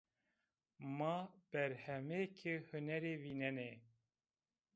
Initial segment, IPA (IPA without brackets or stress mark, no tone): m